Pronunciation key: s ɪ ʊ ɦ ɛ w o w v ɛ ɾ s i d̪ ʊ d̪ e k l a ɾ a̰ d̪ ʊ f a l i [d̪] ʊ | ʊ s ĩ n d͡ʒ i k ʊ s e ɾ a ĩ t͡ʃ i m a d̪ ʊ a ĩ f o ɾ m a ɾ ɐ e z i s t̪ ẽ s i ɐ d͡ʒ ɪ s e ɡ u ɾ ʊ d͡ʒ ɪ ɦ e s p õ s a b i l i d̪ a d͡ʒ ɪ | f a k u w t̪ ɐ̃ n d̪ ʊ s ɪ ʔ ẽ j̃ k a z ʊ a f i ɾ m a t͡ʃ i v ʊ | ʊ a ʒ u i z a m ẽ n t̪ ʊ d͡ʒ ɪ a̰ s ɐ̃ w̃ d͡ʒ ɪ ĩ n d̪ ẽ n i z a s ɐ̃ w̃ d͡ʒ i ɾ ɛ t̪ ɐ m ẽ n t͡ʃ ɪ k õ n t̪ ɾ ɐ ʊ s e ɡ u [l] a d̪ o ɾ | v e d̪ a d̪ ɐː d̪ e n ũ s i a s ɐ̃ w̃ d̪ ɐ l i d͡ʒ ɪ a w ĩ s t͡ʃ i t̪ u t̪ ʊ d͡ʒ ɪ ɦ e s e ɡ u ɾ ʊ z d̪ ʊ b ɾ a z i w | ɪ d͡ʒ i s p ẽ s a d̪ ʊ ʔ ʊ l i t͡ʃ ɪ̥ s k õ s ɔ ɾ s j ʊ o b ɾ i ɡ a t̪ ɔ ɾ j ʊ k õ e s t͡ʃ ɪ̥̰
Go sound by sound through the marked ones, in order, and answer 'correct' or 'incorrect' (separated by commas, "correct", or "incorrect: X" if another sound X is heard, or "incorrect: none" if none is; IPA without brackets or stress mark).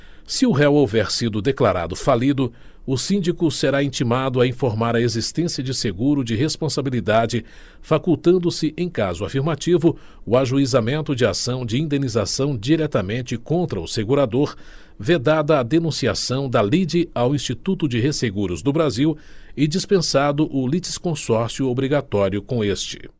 correct, incorrect: ɾ